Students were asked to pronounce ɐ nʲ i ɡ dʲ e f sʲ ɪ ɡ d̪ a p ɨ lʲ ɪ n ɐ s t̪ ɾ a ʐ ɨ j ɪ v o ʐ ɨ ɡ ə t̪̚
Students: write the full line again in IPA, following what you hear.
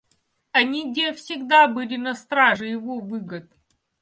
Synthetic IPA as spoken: ɐ nʲ i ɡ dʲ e f sʲ ɪ ɡ d̪ a b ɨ lʲ ɪ n ɐ s t̪ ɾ a ʐ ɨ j ɪ v o v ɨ ɡ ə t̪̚